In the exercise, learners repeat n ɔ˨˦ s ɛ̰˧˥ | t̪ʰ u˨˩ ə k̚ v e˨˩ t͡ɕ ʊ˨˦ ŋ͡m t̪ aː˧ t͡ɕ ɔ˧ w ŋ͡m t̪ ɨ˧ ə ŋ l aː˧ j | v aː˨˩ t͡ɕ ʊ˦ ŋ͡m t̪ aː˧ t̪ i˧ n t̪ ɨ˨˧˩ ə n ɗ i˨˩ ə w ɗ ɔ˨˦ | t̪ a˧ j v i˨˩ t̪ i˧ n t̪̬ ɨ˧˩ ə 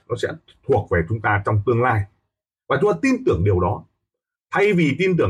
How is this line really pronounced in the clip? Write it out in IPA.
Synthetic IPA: n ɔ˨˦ s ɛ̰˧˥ | t̪ʰ u˨˩ ə k̚ v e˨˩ t͡ɕ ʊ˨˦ ŋ͡m t̪ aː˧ t͡ɕ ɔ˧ w ŋ͡m t̪ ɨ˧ ə ŋ l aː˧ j | v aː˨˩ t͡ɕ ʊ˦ ŋ͡m t̪ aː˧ t̪ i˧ n t̪ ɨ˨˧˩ ə ŋ ɗ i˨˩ ə w ɗ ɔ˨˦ | t̪ʰ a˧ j v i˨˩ t̪ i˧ n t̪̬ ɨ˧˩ ə